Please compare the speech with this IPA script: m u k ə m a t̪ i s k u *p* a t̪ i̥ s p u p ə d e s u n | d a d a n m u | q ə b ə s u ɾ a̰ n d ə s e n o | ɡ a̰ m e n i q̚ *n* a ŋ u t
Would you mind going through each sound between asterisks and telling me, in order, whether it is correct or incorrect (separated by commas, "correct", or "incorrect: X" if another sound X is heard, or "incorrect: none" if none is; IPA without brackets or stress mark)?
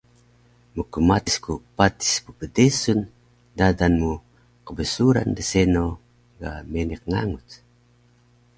correct, incorrect: ŋ